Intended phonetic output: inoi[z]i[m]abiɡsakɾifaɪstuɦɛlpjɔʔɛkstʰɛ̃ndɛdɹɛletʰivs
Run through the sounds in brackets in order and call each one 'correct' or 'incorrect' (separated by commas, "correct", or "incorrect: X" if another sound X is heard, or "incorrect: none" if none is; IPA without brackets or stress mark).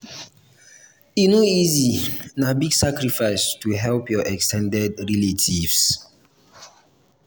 correct, incorrect: n